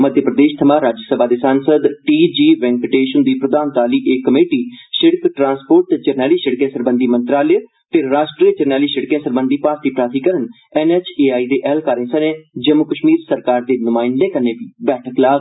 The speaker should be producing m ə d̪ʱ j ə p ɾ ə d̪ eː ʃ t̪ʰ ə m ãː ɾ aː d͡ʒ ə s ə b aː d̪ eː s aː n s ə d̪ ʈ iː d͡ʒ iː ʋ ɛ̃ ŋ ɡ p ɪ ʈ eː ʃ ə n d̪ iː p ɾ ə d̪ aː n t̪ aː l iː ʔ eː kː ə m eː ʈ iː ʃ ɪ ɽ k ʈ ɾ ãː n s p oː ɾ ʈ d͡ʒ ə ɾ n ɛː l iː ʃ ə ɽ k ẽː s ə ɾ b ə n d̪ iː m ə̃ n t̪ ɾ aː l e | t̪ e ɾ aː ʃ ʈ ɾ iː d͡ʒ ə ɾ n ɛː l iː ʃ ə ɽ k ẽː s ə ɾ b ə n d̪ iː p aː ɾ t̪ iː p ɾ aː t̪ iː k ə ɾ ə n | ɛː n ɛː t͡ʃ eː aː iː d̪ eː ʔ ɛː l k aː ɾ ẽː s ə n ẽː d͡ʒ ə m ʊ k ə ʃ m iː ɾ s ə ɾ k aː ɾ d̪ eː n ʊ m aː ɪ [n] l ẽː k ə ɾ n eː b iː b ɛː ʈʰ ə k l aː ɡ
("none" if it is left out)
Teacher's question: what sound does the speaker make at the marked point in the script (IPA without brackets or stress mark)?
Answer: n